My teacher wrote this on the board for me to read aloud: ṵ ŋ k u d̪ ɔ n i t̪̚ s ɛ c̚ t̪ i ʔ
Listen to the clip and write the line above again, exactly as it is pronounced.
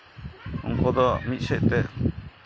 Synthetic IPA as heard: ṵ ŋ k ɔ d̪ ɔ m i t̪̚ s ɛ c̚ t̪ ɛ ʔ